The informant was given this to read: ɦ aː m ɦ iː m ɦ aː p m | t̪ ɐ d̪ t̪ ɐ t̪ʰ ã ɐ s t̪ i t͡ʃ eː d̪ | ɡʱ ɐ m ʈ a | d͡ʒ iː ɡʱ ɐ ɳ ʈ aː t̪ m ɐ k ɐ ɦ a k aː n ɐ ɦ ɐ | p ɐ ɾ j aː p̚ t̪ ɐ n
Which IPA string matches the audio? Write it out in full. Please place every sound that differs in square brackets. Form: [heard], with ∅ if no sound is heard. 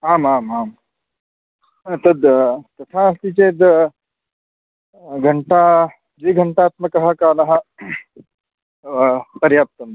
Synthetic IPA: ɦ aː m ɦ [aː] m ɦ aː [∅] m | t̪ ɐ d̪ t̪ ɐ t̪ʰ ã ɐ s t̪ i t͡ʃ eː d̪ | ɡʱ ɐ [ɳ] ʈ a | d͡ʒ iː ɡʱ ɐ ɳ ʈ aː t̪ m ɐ k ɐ ɦ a k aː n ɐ ɦ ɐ | p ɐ ɾ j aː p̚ t̪ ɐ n

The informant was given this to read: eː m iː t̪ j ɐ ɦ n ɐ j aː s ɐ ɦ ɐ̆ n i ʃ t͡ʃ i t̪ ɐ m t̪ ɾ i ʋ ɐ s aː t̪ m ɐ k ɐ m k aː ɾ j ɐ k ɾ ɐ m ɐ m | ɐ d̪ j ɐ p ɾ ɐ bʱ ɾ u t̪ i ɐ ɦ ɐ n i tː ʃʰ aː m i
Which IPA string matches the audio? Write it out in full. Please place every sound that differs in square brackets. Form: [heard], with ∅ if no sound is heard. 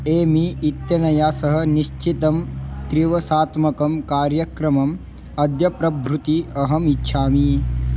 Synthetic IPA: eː m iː t̪ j ɐ [∅] n ɐ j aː s ɐ ɦ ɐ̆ n i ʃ t͡ʃ i t̪ ɐ m t̪ ɾ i ʋ ɐ s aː t̪ m ɐ k ɐ m k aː ɾ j ɐ k ɾ ɐ m ɐ m | ɐ d̪ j ɐ p ɾ ɐ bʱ ɾ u t̪ i ɐ ɦ ɐ [m] i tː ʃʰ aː m i

